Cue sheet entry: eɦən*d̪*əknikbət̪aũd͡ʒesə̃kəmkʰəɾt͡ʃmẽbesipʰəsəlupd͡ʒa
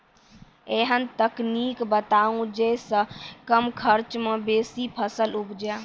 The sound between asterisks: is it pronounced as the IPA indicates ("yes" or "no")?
no